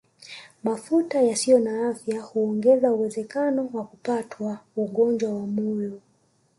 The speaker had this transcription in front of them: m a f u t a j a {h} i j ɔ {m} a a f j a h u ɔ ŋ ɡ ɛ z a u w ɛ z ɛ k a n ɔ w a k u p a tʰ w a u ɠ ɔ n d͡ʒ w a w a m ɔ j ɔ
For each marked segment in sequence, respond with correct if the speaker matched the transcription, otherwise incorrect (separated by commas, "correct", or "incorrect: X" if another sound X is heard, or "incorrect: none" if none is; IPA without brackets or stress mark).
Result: incorrect: s, incorrect: n